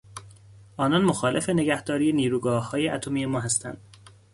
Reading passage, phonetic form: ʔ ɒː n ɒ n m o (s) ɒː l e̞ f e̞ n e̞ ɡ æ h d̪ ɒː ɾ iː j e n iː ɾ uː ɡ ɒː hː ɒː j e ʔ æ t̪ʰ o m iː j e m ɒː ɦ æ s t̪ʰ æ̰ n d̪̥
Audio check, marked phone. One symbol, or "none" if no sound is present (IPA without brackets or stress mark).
x